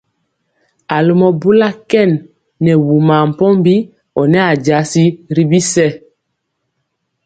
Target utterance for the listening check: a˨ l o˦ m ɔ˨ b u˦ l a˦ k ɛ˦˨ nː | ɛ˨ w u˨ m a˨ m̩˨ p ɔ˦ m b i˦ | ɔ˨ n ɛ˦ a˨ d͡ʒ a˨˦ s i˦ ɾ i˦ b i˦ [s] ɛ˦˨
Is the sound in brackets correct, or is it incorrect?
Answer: correct